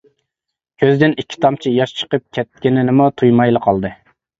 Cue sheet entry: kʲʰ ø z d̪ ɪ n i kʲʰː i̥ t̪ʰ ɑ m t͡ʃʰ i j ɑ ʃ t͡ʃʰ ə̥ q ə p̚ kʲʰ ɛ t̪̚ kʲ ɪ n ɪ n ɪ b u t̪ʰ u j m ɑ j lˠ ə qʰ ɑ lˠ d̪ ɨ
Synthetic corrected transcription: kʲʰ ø z d̪ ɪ n i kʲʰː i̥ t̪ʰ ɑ m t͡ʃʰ i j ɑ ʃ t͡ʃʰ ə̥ q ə p̚ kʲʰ ɛ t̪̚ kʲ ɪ n ɪ n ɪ m u t̪ʰ u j m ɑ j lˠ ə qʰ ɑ lˠ d̪ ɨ